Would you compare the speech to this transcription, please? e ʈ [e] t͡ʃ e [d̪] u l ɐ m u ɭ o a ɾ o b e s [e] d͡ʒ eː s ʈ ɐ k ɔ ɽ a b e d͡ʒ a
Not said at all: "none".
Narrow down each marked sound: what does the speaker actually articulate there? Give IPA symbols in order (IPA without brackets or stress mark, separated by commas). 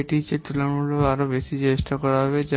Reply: i, t̪, i